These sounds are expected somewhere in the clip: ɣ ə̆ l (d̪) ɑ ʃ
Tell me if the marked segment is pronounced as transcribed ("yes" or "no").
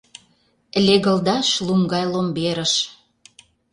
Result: yes